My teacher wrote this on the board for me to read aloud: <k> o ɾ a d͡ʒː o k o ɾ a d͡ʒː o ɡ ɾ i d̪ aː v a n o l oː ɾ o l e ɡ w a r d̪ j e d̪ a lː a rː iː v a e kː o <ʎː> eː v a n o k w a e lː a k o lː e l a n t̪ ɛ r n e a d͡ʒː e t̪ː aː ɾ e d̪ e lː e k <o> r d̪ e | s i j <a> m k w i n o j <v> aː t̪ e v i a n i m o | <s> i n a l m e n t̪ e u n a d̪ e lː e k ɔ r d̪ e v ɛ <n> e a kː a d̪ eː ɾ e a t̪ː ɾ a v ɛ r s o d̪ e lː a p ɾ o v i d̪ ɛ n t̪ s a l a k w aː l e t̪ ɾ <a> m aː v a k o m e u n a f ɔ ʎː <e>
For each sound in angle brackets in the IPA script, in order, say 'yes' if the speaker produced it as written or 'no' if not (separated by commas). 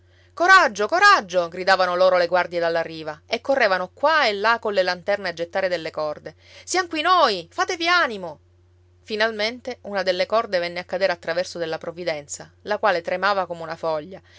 yes, no, no, yes, no, no, no, no, no